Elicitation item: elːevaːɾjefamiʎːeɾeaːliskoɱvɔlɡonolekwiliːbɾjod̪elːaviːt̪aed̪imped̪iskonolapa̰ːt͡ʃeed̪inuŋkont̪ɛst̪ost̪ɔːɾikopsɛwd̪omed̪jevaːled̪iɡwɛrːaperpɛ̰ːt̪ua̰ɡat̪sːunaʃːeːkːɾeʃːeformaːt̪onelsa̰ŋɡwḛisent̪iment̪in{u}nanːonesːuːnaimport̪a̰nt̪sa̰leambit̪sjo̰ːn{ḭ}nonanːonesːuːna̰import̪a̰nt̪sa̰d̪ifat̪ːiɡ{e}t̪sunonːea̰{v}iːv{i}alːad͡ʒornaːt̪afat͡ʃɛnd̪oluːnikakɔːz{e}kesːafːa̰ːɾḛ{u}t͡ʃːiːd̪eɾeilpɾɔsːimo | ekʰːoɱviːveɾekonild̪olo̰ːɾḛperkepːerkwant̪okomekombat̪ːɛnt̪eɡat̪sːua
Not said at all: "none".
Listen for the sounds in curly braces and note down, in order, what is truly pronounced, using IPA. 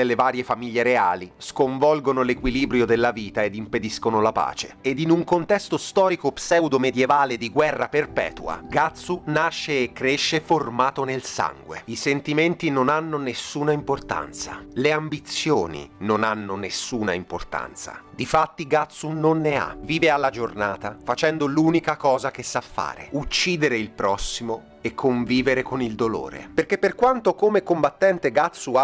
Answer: o, ḭ, a, v, e, a, u

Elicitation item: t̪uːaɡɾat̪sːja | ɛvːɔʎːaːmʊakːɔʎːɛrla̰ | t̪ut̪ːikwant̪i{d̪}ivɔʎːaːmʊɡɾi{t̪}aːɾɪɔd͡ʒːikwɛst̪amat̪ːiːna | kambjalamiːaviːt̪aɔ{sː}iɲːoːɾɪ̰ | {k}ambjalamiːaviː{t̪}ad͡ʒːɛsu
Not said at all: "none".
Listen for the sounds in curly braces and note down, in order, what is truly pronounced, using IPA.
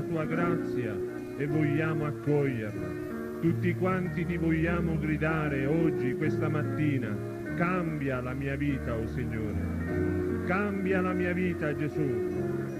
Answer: t̪, d̪, s, k, t̪

